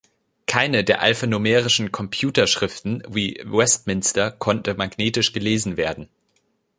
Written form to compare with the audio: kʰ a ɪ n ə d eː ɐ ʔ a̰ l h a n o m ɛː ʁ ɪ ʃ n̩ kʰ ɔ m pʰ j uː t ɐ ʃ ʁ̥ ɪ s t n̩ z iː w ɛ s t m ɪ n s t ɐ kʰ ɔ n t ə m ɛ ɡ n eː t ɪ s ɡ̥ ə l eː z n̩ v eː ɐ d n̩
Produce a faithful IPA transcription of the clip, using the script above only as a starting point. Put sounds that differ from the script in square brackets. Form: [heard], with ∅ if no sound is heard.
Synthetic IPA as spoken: kʰ a ɪ n ə d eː ɐ ʔ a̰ l [f] a n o m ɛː ʁ ɪ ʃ n̩ kʰ ɔ m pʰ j uː t ɐ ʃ ʁ̥ ɪ [f] t n̩ [v] iː w ɛ s t m ɪ n s t ɐ kʰ ɔ n t ə m [a] ɡ n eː t ɪ [ʃ] ɡ̥ ə l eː z n̩ v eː ɐ d n̩